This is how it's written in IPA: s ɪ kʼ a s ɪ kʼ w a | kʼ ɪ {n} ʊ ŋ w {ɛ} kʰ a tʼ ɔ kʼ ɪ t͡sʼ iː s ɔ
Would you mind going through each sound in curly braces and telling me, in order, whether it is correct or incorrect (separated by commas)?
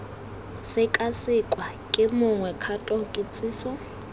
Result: incorrect, correct